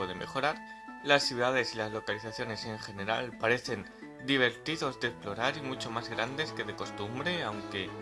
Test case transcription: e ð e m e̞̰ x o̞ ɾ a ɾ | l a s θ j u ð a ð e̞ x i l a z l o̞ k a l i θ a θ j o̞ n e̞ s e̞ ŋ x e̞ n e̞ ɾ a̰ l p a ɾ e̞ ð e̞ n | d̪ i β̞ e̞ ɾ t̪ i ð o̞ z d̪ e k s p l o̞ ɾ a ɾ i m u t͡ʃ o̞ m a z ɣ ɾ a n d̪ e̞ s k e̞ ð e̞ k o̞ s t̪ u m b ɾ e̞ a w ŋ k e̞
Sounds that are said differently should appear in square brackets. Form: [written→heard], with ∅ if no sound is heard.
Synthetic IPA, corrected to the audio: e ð e m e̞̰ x o̞ ɾ a ɾ | l a s θ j u ð a ð e̞ [x→s] i l a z l o̞ k a l i θ a θ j o̞ n e̞ s e̞ ŋ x e̞ n e̞ ɾ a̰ l p a ɾ e̞ [ð→θ] e̞ n | d̪ i β̞ e̞ ɾ t̪ i ð o̞ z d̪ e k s p l o̞ ɾ a ɾ i m u t͡ʃ o̞ m a z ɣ ɾ a n d̪ e̞ s k e̞ ð e̞ k o̞ s t̪ u m b ɾ e̞ a w ŋ k e̞